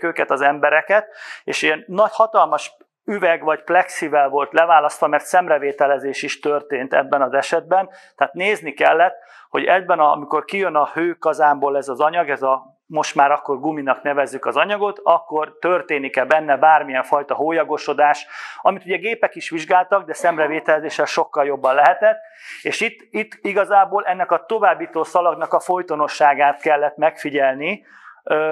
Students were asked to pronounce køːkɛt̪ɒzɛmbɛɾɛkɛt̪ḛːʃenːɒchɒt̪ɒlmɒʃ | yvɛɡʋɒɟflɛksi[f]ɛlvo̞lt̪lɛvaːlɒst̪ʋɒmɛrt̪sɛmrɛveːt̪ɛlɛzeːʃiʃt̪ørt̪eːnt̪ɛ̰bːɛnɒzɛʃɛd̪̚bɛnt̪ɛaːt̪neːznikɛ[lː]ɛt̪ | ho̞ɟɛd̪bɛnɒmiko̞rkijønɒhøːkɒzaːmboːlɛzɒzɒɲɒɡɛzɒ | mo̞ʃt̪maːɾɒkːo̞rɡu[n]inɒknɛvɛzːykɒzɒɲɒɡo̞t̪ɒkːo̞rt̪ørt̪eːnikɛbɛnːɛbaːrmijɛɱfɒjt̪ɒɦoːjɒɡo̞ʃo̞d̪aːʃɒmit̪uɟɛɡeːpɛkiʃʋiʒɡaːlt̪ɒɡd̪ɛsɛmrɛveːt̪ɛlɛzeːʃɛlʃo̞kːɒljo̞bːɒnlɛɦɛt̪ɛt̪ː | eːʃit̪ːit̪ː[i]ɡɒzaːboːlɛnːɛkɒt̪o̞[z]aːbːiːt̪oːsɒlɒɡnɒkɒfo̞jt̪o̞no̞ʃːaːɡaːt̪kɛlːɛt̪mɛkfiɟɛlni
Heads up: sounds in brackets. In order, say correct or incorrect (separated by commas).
incorrect, correct, incorrect, correct, incorrect